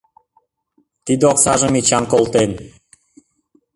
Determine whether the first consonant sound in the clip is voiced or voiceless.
voiceless